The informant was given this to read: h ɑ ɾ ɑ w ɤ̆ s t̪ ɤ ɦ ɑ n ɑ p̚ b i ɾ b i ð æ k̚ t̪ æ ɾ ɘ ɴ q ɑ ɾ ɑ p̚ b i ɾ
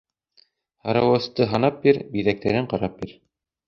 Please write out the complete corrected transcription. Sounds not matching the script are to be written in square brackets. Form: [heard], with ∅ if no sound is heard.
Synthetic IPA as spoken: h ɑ ɾ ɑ w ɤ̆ s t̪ ɤ ɦ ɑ n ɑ p̚ b i ɾ b i ð æ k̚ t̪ æ ɾ ɘ ɴ q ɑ ɾ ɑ p̚ b i ɾ